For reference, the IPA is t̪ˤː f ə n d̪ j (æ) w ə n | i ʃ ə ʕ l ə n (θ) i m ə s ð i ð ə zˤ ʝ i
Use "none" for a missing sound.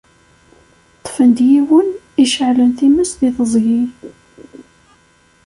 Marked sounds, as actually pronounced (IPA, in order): i, θ

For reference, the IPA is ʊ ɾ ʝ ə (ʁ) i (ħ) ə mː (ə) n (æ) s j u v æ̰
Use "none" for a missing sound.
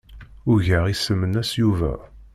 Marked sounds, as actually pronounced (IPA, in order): ʁ, s, ə, æ

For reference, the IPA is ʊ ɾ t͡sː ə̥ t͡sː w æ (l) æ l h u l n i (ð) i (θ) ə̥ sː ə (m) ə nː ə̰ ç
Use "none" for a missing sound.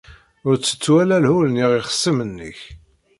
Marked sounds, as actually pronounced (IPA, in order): l, ʁ, χ, m

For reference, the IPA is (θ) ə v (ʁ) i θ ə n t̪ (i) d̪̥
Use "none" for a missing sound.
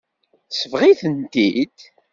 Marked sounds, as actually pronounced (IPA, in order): s, ʁ, i

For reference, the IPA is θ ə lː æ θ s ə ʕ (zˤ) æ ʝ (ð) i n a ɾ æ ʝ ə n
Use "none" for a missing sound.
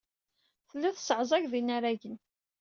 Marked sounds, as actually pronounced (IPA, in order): zˤ, ð

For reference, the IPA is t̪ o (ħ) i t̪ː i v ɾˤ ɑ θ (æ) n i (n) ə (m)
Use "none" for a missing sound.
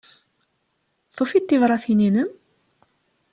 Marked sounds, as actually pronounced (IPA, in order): f, i, n, m

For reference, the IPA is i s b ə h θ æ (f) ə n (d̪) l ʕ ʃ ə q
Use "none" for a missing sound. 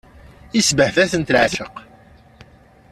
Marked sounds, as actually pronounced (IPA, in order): θ, t̪

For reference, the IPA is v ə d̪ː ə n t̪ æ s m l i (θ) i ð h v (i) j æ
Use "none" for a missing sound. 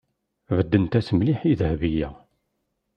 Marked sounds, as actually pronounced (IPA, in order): ħ, i

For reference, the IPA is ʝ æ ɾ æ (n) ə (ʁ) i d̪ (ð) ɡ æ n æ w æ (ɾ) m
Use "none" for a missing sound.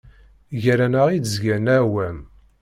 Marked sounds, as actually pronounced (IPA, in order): n, ʁ, z, none

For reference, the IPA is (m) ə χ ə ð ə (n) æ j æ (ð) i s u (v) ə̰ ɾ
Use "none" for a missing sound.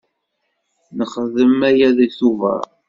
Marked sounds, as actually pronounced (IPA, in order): n, m, ð, v

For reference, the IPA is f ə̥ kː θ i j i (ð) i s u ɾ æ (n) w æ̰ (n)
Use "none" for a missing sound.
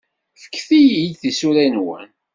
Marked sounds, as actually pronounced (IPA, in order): θ, n, n

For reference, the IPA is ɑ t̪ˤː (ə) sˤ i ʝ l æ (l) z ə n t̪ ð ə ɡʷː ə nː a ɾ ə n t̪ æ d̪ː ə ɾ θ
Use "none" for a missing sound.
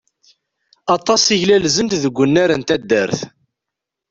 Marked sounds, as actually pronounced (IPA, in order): ɑ, l

